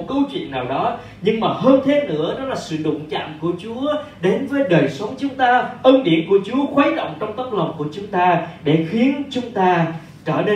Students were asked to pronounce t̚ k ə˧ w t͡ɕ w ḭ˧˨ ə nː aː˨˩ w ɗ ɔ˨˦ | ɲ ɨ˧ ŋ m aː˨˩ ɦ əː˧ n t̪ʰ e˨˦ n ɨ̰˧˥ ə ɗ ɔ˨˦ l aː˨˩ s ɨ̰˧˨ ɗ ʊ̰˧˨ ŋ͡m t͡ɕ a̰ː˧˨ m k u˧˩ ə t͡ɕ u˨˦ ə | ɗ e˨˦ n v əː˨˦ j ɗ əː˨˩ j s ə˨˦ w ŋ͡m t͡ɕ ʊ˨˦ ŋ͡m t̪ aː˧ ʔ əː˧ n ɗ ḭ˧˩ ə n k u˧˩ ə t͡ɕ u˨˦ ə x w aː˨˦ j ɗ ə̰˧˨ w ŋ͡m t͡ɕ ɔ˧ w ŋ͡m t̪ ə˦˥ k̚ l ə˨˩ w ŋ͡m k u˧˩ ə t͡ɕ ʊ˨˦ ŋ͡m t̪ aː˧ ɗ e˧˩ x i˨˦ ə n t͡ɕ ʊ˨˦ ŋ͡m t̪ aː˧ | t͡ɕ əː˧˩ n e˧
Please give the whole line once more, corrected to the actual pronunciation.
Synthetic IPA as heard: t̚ k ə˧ w t͡ɕ w ḭ˧˨ ə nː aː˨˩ w ɗ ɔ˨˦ | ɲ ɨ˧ ŋ m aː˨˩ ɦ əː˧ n t̪ʰ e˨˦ n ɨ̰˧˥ ə ɗ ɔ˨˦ l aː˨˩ s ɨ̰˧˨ ɗ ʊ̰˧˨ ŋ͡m t͡ɕ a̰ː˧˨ m k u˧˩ ə t͡ɕ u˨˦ ə | ɗ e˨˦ n v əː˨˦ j ɗ əː˨˩ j s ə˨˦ w ŋ͡m t͡ɕ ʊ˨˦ ŋ͡m t̪ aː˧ ʔ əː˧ n ɗ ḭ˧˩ ə n k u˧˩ ə t͡ɕ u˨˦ ə x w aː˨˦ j ɗ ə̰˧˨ w ŋ͡m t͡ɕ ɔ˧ w ŋ͡m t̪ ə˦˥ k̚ l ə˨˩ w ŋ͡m k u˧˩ ə t͡ɕ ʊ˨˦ ŋ͡m t̪ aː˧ ɗ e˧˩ x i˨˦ ə n t͡ɕ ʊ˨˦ ŋ͡m t̪ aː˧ | t͡ɕ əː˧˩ n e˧